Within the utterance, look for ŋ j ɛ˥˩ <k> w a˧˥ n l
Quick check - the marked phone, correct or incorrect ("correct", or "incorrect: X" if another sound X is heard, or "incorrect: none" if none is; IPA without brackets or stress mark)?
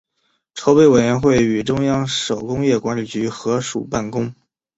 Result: correct